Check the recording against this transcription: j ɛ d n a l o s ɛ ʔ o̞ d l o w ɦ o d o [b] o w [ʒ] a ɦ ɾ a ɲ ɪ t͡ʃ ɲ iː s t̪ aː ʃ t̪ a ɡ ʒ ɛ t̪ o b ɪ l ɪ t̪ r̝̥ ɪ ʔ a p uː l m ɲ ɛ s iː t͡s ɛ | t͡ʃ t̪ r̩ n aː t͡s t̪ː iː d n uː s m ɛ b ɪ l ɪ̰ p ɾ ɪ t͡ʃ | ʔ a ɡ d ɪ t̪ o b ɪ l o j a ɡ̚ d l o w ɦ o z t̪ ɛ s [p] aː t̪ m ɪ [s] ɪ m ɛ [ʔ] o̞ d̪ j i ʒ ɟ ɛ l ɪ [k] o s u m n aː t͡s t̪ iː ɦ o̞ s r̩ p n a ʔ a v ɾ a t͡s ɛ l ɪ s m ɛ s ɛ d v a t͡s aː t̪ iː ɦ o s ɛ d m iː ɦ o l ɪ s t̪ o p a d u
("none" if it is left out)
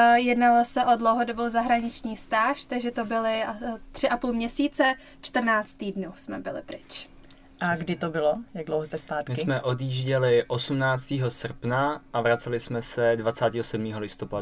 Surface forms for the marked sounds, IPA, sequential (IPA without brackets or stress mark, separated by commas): b, z, p, s, ʔ, ʔ